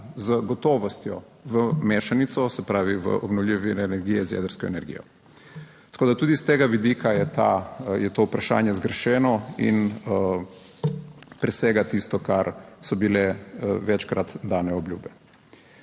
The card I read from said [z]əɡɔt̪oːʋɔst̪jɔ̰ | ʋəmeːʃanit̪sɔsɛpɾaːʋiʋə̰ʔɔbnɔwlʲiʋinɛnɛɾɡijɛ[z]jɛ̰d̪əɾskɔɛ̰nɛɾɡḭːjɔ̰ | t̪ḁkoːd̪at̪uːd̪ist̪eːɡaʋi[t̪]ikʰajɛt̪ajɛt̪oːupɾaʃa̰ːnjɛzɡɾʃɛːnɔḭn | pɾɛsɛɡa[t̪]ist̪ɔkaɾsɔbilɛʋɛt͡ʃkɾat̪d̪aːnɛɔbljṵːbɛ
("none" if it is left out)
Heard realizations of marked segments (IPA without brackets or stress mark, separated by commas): z, z, d̪, t̪